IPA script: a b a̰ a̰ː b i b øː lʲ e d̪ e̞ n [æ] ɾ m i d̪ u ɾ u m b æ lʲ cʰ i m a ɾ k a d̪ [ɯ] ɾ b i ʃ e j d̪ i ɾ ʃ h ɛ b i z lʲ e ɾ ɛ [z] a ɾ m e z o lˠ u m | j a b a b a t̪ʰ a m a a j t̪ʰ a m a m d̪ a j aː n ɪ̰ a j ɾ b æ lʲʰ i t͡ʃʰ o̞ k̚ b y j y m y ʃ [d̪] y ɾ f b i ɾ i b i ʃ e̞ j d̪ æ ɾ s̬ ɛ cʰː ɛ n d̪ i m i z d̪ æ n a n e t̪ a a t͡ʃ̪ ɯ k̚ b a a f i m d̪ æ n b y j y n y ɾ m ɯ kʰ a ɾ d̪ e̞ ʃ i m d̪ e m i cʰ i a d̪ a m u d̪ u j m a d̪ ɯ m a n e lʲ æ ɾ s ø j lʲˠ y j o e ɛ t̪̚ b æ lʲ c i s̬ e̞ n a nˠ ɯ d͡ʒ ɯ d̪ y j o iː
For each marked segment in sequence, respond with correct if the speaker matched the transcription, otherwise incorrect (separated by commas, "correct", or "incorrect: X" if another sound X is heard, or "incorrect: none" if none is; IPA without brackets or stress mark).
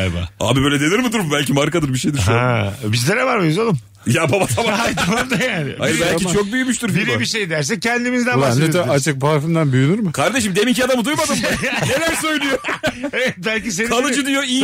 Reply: incorrect: i, correct, incorrect: v, incorrect: t̪